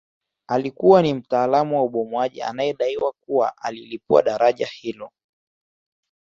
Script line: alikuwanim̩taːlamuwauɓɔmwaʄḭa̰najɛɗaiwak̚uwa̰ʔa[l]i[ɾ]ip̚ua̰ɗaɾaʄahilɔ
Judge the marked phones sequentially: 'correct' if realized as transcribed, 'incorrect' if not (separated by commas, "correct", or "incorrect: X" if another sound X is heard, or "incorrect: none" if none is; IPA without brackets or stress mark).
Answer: correct, incorrect: l